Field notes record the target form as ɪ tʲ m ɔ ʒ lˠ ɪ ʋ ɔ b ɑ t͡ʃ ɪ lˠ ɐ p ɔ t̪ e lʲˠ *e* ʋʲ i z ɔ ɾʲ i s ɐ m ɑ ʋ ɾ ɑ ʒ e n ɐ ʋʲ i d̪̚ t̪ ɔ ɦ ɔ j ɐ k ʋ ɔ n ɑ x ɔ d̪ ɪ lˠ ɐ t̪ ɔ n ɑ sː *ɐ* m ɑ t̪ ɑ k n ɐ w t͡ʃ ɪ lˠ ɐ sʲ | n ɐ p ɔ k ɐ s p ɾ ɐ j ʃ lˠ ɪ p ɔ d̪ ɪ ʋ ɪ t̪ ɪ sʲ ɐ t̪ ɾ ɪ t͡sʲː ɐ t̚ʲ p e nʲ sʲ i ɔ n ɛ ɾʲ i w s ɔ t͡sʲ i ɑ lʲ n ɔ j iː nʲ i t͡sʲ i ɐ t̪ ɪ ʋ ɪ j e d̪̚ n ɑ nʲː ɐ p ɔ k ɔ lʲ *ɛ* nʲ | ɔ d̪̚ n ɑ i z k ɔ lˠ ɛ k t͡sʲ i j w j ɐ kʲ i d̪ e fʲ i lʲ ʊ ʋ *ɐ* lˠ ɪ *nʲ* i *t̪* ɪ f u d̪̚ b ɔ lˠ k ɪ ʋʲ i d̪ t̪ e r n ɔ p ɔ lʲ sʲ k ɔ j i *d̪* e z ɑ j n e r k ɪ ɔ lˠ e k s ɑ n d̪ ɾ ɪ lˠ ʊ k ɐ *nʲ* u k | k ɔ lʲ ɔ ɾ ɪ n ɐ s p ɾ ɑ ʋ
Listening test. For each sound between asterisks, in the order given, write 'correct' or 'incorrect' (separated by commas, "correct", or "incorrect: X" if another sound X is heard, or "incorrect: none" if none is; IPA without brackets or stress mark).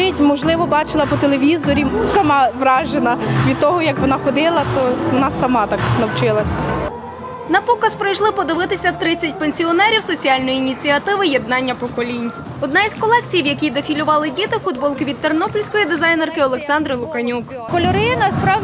correct, correct, incorrect: i, incorrect: ɑ, incorrect: dʲ, correct, correct, correct